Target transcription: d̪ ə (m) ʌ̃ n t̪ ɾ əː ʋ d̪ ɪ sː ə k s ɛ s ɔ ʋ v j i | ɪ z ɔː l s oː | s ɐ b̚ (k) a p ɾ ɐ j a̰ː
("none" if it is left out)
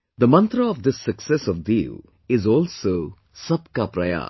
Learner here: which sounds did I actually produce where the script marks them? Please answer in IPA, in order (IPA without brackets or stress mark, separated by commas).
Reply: m, k